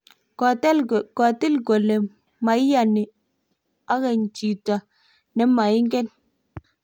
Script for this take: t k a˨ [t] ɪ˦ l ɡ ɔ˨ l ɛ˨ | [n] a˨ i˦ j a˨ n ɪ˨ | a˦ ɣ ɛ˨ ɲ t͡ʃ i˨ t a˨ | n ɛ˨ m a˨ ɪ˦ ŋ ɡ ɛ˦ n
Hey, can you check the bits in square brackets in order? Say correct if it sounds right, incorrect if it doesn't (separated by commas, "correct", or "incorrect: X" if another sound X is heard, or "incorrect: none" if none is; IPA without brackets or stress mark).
correct, incorrect: m